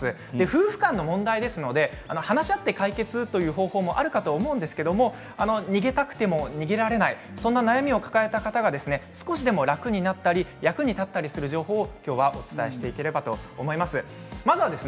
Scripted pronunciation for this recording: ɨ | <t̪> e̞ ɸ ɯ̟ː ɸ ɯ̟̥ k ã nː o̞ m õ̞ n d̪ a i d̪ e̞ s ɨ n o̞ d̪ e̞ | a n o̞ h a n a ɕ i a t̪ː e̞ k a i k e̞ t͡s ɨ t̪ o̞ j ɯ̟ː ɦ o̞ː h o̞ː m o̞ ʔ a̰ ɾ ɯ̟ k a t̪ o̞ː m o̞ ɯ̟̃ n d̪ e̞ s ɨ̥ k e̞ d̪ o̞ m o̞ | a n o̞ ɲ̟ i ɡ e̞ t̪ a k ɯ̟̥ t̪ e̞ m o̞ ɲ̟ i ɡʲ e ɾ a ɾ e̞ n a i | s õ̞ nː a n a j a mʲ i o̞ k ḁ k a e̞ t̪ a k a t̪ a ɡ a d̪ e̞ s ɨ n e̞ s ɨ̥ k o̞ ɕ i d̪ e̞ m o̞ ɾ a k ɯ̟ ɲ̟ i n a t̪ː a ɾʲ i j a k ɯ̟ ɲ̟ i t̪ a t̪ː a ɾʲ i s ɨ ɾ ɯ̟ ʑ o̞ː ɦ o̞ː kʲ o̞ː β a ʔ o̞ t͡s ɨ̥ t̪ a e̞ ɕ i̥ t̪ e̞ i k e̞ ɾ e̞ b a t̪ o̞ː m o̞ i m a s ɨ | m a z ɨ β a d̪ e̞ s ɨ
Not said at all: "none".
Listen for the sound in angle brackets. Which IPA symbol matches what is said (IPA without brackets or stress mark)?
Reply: d̪